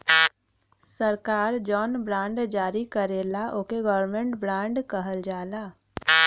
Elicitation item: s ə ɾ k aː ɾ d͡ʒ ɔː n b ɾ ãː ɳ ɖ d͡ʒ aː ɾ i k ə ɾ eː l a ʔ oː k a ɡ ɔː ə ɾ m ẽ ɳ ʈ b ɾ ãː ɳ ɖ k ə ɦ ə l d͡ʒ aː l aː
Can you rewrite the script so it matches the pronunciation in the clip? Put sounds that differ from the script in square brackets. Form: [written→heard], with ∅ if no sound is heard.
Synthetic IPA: s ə ɾ k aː ɾ d͡ʒ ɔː n b ɾ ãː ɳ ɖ d͡ʒ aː ɾ i k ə ɾ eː l a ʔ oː k [a→e] ɡ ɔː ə ɾ m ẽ ɳ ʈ b ɾ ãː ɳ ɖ k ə ɦ ə l d͡ʒ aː l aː